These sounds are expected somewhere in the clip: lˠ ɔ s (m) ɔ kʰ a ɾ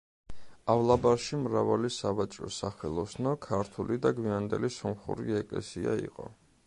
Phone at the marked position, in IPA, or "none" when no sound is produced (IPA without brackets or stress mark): n